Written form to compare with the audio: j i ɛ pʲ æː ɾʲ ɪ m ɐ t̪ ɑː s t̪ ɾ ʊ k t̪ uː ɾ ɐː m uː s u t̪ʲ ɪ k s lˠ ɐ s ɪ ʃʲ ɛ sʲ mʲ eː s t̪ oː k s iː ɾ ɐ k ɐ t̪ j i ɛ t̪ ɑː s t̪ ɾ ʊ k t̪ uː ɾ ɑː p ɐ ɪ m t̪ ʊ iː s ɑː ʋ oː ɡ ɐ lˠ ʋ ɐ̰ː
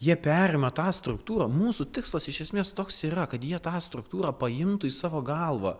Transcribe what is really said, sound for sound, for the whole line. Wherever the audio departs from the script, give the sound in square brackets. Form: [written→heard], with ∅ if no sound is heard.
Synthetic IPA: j i ɛ pʲ æː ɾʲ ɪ m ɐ t̪ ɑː s t̪ ɾ ʊ k t̪ uː ɾ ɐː m uː s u t̪ʲ ɪ k s lˠ ɐ s ɪ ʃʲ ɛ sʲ mʲ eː s t̪ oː k s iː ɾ ɐ k ɐ t̪ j i ɛ t̪ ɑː s t̪ ɾ ʊ k t̪ uː ɾ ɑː p ɐ ɪ m t̪ ʊ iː s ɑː ʋ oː ɡ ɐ lˠ ʋ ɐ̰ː